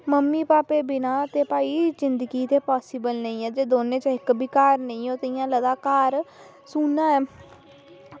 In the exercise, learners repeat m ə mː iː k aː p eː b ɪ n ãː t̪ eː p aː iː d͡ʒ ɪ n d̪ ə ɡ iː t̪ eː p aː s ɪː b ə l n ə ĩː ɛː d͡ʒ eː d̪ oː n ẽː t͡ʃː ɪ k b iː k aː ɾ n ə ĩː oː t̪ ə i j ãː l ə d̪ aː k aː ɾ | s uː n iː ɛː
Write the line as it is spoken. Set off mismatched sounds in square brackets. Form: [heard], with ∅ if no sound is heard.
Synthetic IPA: m ə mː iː [p] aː p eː b ɪ n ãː t̪ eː p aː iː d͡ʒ ɪ n d̪ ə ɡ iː t̪ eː p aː s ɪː b ə l n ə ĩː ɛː d͡ʒ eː d̪ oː n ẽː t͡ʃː ɪ k b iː k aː ɾ n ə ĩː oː t̪ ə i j ãː l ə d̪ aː k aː ɾ | s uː n [aː] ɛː